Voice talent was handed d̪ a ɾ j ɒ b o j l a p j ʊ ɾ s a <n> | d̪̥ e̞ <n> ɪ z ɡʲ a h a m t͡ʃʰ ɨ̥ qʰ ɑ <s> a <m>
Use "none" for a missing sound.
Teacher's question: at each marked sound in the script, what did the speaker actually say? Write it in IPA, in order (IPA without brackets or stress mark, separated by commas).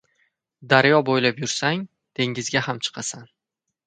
ŋ, ŋ, s, n